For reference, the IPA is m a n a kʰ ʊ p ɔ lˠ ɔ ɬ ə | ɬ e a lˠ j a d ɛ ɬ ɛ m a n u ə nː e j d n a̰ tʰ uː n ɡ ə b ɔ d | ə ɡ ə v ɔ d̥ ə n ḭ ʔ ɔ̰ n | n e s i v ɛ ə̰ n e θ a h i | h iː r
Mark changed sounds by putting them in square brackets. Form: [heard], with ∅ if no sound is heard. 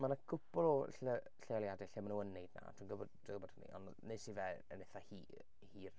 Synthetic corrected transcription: m a n a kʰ ʊ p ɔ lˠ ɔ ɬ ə | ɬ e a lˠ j a d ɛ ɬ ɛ m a n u ə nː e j d n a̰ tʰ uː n ɡ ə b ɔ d | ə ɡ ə [b] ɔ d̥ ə n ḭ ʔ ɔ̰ n | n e s i v ɛ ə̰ n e θ a h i | h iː r

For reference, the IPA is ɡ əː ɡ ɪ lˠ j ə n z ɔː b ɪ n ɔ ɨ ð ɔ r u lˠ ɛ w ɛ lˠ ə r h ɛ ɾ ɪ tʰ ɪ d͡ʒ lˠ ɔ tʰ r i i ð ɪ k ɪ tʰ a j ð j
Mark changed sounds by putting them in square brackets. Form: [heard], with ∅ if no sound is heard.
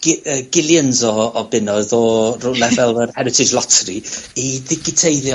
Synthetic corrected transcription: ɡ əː ɡ ɪ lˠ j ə n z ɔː b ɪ n ɔ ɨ ð ɔ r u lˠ ɛ [v] ɛ lˠ ə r h ɛ ɾ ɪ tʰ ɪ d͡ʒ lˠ ɔ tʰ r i i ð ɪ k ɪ tʰ [e] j ð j

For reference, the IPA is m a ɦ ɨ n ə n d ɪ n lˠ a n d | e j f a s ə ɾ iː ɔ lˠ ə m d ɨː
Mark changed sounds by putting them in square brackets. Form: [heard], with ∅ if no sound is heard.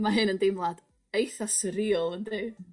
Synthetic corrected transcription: m a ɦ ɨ n ə n d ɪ [m] lˠ a [∅] d | e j [θ] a s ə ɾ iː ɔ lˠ ə [n] d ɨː

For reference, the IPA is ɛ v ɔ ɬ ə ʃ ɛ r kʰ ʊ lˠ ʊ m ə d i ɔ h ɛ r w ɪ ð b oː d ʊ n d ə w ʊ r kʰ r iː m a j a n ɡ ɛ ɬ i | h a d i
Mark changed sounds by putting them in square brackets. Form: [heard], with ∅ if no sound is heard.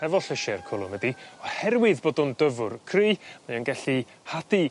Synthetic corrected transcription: ɛ v ɔ ɬ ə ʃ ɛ r kʰ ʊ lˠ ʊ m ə d i ɔ h ɛ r w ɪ ð b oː d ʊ n d ə [v] ʊ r kʰ r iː m a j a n ɡ ɛ ɬ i | h a d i

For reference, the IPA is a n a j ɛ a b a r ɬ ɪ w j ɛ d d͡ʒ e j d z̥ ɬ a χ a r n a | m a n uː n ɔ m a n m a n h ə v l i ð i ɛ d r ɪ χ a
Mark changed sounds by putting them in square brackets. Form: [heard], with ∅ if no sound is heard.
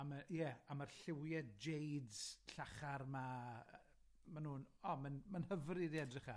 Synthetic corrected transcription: a [m] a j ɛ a [m] a r ɬ ɪ w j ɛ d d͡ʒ e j d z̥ ɬ a χ a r [m] a | m a n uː n ɔ m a n m a n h ə v [r] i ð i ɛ d r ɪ χ a

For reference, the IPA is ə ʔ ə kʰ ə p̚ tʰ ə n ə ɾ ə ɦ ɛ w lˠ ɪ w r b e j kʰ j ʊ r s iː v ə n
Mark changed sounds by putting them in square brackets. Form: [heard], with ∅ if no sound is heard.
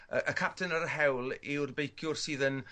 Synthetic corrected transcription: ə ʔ ə kʰ [a] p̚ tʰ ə n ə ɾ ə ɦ ɛ w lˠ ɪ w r b e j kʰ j ʊ r s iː [ð] ə n

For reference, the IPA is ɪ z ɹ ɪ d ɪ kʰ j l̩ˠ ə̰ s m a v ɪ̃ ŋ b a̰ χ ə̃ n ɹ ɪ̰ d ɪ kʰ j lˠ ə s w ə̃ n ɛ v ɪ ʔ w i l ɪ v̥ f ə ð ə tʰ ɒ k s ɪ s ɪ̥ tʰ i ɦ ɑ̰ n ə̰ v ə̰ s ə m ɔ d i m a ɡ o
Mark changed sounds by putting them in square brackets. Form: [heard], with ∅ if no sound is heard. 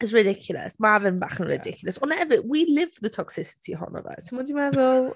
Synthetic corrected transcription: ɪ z ɹ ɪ d ɪ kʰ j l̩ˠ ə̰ s m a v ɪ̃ [n] b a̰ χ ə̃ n ɹ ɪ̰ d ɪ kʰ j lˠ ə s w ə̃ n ɛ v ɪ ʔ w i l ɪ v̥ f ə ð ə tʰ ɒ k s ɪ s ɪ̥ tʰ i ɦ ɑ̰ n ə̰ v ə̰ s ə m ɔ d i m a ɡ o

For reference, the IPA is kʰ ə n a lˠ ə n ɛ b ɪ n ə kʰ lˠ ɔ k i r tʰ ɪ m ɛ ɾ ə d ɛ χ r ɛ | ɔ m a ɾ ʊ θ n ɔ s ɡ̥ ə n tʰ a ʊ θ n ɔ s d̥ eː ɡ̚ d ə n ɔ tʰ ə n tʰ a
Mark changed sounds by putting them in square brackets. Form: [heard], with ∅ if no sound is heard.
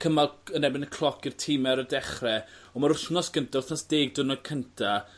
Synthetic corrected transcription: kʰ ə [m] a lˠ ə n ɛ b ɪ n ə kʰ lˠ ɔ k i r tʰ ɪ m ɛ ɾ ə d ɛ χ r ɛ | ɔ m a ɾ ʊ θ n ɔ s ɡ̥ ə n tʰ a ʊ θ n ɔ s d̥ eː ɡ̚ d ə n ɔ [kʰ] ə n tʰ a

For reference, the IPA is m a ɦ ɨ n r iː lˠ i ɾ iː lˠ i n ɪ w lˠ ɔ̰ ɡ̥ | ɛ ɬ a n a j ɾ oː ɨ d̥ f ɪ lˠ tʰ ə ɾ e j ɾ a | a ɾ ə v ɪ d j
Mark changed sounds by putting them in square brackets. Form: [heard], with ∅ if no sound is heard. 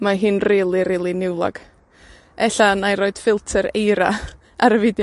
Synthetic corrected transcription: m a ɦ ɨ n r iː lˠ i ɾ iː lˠ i n ɪ w lˠ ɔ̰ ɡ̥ | ɛ ɬ a n a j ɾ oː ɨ d̥ f ɪ lˠ tʰ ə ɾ e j ɾ a | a ɾ ə v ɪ d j

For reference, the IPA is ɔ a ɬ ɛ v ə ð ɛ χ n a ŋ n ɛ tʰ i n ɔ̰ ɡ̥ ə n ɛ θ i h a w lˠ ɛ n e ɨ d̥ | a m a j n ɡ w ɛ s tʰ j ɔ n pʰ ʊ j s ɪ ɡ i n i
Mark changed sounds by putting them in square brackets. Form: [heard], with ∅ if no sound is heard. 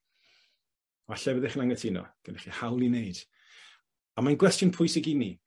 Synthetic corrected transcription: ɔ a ɬ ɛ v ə ð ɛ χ n a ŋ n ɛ tʰ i n ɔ̰ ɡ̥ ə n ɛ [χ] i h a w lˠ [i] n e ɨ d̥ | a m a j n ɡ w ɛ s [t] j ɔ n pʰ ʊ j s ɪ ɡ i n i

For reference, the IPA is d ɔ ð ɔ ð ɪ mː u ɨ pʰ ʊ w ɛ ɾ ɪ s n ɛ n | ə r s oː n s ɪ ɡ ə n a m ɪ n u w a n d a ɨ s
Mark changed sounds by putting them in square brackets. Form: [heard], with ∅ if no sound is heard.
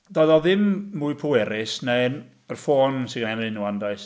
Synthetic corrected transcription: d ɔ ð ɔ ð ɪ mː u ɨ pʰ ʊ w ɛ ɾ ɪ s n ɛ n | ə r [f] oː n s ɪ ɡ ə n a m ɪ n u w a n d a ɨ s

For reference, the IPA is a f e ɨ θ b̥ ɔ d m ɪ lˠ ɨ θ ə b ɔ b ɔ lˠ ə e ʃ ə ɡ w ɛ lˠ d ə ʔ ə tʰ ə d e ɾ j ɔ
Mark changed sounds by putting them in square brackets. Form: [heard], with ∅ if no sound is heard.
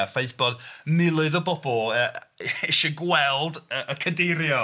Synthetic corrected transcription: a f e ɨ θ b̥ ɔ d m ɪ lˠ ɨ [ð] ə b ɔ b ɔ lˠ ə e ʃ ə ɡ w ɛ lˠ d ə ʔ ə [kʰ] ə d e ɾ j ɔ

